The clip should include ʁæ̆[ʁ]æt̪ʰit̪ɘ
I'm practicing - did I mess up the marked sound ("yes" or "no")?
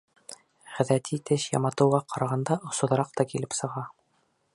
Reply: yes